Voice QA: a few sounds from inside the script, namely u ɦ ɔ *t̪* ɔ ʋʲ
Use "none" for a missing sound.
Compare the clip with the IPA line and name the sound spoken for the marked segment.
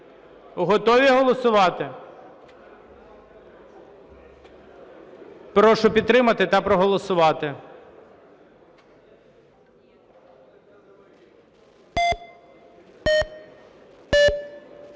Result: t̪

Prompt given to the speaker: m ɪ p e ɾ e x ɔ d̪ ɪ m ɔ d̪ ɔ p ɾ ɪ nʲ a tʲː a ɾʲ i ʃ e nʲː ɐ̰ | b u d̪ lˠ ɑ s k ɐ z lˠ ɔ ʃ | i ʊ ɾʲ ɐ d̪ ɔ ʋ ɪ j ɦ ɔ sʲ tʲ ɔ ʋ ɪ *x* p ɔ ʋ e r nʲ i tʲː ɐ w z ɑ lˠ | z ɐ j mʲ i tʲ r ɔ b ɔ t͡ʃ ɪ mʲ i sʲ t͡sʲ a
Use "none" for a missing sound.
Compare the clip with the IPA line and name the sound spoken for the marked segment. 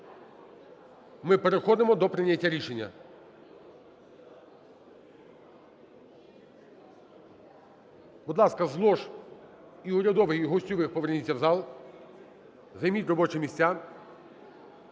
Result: x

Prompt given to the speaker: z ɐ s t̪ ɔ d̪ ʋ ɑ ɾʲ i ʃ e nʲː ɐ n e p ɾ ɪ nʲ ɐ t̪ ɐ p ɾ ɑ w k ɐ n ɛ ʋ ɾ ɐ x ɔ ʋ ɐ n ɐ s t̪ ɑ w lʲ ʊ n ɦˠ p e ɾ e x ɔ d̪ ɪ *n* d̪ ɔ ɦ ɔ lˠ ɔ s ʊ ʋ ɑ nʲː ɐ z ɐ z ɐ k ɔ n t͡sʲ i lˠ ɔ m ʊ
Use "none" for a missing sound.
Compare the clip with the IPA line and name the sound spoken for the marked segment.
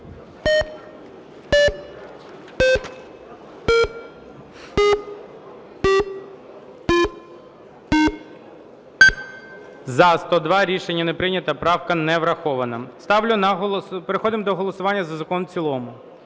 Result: m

